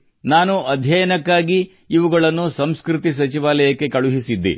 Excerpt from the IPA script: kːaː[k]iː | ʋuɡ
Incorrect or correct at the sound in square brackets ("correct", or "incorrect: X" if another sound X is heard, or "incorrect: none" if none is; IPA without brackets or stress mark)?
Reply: incorrect: ɡ